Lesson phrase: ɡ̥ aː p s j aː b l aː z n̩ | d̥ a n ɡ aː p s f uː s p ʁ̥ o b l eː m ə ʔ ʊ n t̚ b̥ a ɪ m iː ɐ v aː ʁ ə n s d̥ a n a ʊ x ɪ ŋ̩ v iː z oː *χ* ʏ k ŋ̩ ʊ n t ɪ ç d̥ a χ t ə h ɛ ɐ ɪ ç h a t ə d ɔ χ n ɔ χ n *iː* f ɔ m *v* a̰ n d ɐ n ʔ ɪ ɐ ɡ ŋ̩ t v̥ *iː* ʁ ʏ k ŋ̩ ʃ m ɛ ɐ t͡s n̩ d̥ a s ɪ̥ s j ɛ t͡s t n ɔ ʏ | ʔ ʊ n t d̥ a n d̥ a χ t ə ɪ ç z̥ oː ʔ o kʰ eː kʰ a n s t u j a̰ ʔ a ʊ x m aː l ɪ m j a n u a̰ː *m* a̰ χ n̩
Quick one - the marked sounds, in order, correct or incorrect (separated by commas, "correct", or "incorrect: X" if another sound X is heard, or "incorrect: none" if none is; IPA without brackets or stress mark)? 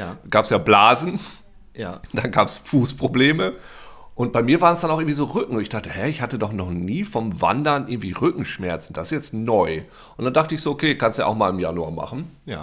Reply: incorrect: ʁ, correct, correct, correct, correct